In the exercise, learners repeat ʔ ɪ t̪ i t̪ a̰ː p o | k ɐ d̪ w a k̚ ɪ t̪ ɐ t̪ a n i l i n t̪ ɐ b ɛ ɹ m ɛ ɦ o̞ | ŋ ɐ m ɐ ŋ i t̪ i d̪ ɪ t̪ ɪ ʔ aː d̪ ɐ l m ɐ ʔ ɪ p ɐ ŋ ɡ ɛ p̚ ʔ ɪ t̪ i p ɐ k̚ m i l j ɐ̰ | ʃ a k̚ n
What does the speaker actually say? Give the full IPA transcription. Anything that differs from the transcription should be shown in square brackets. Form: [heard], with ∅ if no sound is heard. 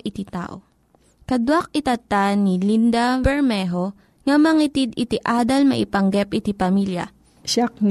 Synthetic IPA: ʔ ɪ t̪ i t̪ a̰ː [ʔ] o | k ɐ d̪ w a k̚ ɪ t̪ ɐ t̪ a n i l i n [d̪] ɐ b ɛ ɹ m ɛ ɦ o̞ | ŋ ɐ m ɐ ŋ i t̪ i d̪ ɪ t̪ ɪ ʔ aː d̪ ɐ l m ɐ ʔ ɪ p ɐ ŋ ɡ ɛ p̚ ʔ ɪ t̪ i p ɐ [∅] m i l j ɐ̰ | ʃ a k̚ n